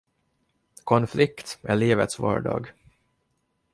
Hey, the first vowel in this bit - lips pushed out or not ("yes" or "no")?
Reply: yes